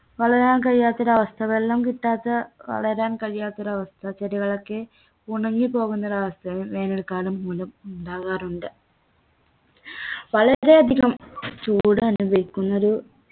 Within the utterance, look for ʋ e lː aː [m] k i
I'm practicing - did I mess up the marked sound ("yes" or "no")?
no